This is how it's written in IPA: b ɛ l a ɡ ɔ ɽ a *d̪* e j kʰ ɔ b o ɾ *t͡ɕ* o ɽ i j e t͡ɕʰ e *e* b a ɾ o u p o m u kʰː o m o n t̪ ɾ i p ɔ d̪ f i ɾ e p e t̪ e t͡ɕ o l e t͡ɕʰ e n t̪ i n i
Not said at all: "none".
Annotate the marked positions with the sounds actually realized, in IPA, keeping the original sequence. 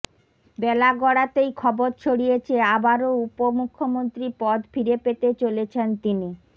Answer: t̪, t͡ɕʰ, a

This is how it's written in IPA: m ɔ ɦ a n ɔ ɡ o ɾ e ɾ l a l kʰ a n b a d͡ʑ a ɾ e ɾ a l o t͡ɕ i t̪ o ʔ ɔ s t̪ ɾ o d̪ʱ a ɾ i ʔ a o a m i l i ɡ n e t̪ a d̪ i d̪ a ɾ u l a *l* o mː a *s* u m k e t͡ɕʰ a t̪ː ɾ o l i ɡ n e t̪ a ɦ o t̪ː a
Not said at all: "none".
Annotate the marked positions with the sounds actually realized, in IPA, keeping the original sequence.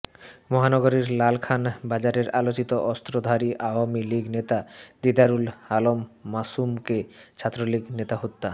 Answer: l, s

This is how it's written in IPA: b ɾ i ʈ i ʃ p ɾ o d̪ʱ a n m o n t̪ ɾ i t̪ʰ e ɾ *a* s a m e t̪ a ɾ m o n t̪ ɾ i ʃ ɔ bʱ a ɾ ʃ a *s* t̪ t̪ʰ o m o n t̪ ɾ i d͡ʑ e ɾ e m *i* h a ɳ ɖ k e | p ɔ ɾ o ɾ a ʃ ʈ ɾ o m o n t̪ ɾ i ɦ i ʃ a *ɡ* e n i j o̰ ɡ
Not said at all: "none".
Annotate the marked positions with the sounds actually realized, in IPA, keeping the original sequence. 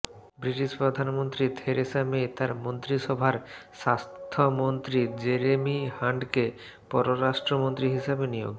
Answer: e, s, i, b

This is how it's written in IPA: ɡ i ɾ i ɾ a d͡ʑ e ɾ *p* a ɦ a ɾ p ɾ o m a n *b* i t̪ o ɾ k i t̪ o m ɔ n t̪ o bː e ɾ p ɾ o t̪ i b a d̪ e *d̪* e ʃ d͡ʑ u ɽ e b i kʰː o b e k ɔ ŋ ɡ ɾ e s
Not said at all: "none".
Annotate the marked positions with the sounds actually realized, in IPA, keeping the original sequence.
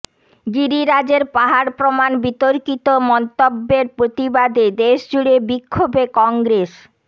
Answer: p, b, d̪

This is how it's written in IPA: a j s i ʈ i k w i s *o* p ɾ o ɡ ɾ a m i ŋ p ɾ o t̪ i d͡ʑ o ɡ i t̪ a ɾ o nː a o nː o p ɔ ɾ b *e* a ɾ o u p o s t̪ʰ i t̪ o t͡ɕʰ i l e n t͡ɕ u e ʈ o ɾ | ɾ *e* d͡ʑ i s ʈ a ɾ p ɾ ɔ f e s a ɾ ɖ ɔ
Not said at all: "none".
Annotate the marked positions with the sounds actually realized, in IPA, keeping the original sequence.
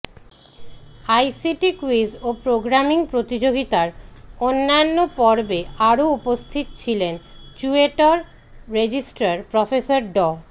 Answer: o, e, e

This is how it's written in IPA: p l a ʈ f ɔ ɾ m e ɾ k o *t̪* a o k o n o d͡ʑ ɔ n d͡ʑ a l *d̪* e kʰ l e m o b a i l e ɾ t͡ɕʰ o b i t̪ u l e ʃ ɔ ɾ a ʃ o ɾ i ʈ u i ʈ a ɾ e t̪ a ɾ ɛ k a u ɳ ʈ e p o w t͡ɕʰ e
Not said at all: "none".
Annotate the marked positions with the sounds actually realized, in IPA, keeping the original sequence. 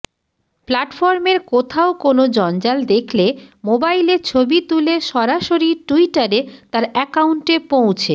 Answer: t̪ʰ, d̪

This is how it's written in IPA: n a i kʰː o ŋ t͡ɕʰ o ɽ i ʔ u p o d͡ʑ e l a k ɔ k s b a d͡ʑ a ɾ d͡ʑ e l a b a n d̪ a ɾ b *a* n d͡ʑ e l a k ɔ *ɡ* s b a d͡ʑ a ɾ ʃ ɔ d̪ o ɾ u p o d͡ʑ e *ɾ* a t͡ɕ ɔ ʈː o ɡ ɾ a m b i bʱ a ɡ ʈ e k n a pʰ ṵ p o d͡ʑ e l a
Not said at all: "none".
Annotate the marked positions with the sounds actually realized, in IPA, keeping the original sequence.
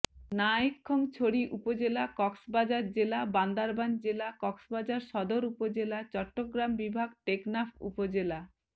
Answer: a, k, l

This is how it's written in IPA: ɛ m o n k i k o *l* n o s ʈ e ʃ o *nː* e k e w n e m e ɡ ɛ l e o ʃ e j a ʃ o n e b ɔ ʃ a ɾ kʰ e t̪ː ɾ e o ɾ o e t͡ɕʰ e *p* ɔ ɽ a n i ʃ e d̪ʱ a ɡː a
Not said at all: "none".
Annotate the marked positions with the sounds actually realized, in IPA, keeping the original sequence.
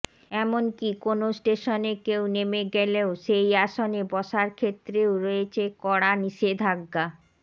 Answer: none, n, k

